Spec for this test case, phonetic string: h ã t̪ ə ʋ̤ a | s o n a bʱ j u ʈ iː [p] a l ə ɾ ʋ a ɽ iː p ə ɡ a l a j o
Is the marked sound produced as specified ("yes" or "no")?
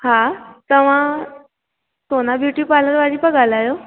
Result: yes